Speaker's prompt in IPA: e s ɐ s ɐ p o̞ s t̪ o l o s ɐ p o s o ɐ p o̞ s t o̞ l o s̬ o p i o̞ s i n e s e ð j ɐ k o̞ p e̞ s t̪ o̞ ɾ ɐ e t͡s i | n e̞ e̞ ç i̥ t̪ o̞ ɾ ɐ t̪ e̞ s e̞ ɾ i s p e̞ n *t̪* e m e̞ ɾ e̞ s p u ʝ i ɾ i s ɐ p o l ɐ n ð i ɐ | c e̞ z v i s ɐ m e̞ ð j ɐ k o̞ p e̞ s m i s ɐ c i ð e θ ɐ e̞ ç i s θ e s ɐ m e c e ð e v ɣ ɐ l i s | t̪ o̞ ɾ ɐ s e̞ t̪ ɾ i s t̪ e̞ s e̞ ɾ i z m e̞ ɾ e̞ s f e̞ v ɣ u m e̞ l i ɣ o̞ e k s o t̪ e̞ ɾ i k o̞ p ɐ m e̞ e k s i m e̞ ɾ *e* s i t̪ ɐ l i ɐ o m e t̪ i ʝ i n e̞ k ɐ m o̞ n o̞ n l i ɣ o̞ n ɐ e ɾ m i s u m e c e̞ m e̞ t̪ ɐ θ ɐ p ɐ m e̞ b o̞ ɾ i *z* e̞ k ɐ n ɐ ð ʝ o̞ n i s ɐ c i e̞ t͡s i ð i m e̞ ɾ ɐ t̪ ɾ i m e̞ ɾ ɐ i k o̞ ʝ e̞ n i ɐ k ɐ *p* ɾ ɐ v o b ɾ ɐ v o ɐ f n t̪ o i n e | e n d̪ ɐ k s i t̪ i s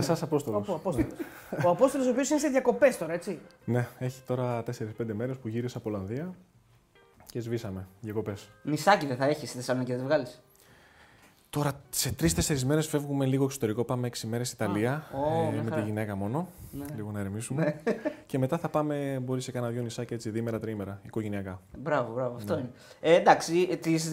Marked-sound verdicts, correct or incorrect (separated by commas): incorrect, correct, incorrect, incorrect